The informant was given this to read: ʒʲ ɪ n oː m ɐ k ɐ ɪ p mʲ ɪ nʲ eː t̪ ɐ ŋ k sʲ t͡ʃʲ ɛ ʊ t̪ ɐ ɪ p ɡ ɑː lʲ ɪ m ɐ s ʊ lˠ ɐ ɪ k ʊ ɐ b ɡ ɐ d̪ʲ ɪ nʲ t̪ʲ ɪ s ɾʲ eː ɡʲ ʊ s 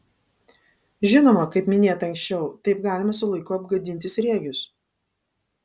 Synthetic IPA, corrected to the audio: ʒʲ ɪ n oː m ɐ k ɐ ɪ p mʲ ɪ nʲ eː t̪ ɐ ŋ k sʲ t͡ʃʲ ɛ ʊ t̪ ɐ ɪ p ɡ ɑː lʲ ɪ m ɐ s ʊ lˠ ɐ ɪ k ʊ ɐ b ɡ ɐ d̪ʲ ɪ nʲ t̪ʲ ɪ s ɾʲ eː ɡʲ ʊ s